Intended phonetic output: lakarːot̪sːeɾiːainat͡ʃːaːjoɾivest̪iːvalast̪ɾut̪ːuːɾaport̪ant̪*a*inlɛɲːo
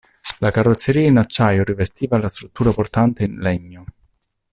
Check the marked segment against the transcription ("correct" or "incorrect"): incorrect